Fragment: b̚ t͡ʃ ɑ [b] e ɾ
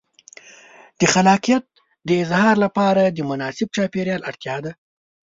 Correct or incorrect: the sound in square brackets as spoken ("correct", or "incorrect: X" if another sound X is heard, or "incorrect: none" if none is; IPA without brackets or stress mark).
incorrect: p